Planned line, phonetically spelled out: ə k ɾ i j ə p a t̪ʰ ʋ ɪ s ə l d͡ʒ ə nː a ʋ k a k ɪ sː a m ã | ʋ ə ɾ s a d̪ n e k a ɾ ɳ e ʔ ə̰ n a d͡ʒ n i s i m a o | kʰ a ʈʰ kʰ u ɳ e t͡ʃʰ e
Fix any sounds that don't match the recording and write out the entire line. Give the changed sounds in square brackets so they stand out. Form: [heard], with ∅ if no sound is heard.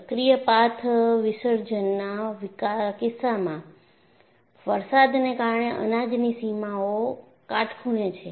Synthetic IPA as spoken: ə k ɾ i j ə p a t̪ʰ ʋ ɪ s ə [ɾ] d͡ʒ ə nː a ʋ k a k ɪ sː a m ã | ʋ ə ɾ s a d̪ n e k a ɾ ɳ e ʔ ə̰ n a d͡ʒ n i s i m a o | [k] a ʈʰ kʰ u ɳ e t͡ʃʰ e